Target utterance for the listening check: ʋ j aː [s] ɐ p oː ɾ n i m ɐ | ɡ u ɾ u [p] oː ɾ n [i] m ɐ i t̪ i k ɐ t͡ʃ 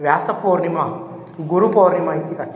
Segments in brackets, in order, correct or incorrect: correct, correct, correct

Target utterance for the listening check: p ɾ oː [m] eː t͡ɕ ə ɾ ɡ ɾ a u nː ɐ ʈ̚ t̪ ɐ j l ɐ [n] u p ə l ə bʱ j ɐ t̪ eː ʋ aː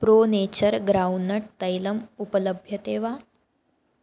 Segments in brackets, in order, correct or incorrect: incorrect: n, incorrect: m

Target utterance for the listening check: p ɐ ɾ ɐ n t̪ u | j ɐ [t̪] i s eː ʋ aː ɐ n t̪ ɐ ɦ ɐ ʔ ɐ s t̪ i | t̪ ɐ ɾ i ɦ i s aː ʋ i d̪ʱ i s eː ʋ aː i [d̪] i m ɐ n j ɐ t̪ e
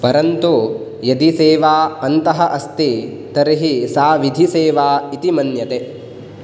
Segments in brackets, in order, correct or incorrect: incorrect: d̪, incorrect: t̪

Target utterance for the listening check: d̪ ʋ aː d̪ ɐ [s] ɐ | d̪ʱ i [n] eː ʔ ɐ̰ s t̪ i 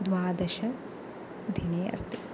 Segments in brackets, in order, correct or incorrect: incorrect: ʃ, correct

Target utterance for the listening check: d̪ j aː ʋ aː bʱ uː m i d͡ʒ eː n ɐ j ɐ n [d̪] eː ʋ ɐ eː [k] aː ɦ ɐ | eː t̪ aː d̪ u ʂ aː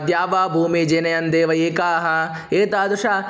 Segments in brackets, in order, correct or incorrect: correct, correct

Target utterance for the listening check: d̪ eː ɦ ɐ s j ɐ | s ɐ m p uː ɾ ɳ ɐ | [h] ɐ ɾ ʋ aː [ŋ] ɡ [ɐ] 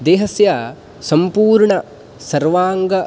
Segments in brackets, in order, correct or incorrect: incorrect: s, correct, correct

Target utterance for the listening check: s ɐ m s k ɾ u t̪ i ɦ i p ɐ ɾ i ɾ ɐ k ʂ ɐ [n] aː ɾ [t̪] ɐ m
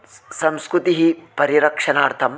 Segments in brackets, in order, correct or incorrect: correct, incorrect: t̪ʰ

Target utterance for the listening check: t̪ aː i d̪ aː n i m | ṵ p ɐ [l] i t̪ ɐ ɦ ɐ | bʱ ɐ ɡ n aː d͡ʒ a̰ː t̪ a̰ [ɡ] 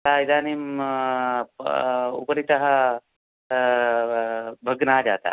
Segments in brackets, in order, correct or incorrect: incorrect: ɾ, incorrect: none

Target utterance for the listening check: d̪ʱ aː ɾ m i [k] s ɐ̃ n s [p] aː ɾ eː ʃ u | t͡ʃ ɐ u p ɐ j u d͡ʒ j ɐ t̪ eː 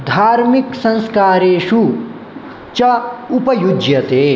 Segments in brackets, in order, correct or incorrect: correct, incorrect: k

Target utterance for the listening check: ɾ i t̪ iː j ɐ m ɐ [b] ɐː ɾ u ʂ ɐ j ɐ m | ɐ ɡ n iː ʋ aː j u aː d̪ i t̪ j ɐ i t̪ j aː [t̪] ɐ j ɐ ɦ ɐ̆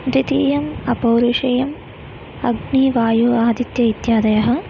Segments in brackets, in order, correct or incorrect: incorrect: p, incorrect: d̪

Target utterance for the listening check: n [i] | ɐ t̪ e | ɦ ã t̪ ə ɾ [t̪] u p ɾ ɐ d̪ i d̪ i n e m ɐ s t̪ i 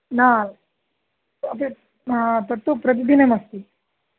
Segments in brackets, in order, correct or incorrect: incorrect: a, correct

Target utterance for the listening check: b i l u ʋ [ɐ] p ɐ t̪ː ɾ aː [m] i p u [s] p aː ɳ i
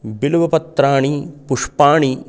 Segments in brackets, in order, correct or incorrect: correct, incorrect: ɳ, incorrect: ʂ

